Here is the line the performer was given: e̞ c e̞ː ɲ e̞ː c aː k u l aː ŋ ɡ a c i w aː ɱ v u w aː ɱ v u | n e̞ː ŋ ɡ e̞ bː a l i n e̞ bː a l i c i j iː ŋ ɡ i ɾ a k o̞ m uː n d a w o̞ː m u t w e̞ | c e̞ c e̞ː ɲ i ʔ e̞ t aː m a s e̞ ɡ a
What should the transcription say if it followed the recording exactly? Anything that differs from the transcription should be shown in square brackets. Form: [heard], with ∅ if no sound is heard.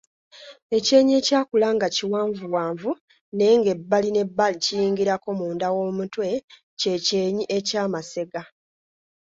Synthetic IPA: e̞ c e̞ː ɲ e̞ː c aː k u l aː ŋ ɡ a c i w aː ɱ v u w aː ɱ v u | n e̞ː ŋ ɡ e̞ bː a l i n e̞ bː a l i c i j iː ŋ ɡ i ɾ a k o̞ m uː n d a w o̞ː m u t w e̞ | c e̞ c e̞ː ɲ i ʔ e̞ [c] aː m a s e̞ ɡ a